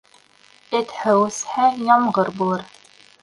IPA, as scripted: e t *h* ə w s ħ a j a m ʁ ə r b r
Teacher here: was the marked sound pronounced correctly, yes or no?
no